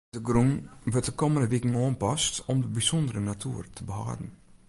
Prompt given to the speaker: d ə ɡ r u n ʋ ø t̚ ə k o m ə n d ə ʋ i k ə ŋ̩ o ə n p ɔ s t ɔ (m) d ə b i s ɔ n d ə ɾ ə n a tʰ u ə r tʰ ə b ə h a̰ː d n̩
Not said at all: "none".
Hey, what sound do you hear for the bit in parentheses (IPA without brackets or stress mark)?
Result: m